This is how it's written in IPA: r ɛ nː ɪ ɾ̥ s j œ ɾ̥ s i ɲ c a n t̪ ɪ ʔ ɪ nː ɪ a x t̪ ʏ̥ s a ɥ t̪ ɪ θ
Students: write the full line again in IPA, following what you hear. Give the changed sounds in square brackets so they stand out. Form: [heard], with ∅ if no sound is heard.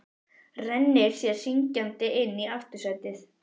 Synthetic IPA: r ɛ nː ɪ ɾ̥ s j [ɛ] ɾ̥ s i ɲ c a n t̪ ɪ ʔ ɪ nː [i] a [f] t̪ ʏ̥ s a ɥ t̪ ɪ θ